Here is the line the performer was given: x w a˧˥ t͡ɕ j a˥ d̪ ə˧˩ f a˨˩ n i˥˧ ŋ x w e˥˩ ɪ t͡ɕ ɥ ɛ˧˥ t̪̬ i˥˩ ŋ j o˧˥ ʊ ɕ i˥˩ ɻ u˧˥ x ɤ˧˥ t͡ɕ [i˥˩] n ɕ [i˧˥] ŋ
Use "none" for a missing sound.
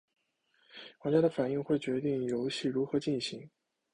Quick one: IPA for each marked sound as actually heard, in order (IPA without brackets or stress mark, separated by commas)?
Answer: i˥˩, i˧˥